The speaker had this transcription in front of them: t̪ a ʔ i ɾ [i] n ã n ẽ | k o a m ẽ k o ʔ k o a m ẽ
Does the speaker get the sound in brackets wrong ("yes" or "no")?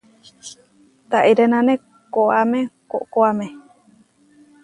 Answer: yes